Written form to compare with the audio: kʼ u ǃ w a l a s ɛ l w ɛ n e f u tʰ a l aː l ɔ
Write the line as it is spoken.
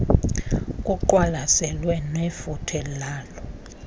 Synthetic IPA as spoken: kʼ u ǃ w a l a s ɛ l w ɛ n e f u tʰ ɛ l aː l ɔ